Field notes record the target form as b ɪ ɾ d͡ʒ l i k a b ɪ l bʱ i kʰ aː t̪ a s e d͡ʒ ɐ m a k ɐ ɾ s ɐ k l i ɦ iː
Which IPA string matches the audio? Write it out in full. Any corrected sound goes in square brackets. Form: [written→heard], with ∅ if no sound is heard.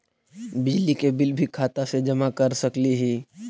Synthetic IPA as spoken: b ɪ [ɾ→∅] d͡ʒ l i k [a→e] b ɪ l bʱ i kʰ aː t̪ a s e d͡ʒ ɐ m a k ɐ ɾ s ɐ k l i ɦ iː